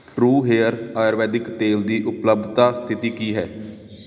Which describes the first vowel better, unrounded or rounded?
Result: rounded